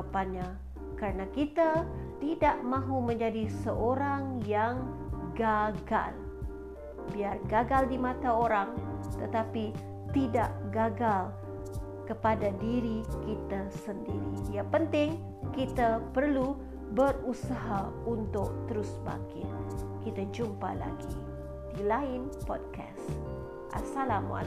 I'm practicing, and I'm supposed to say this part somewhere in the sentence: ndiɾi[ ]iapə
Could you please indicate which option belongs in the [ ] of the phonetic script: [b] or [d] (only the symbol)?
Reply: d